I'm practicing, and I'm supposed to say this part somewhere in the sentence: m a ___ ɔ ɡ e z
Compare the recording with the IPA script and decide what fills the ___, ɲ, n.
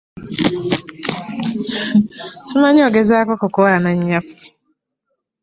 ɲ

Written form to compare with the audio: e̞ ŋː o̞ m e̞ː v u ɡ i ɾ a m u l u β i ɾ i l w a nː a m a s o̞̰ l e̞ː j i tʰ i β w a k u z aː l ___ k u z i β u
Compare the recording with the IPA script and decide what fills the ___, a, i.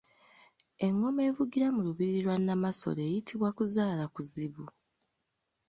a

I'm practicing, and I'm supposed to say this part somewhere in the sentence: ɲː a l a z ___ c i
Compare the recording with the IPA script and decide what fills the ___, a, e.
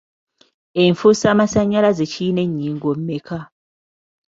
e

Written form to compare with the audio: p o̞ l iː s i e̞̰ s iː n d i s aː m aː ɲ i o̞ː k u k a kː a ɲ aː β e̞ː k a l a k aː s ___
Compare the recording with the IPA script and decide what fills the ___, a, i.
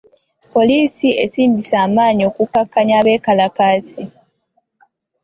i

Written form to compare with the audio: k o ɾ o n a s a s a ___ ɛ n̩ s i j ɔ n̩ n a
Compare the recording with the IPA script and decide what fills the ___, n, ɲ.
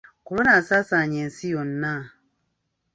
ɲ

